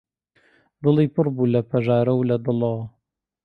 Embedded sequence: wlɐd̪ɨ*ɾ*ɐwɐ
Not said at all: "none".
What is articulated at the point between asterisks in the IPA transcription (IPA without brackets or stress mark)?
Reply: l